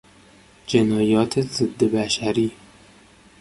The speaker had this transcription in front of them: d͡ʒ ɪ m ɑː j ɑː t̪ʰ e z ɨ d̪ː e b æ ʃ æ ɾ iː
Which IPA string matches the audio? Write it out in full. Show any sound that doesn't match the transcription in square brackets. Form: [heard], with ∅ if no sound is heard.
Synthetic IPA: d͡ʒ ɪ [n] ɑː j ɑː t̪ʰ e z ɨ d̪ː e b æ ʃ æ ɾ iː